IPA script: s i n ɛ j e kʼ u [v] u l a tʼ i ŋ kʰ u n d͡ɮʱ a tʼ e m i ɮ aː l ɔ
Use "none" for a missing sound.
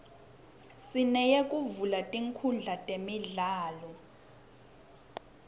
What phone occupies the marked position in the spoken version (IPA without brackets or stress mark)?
v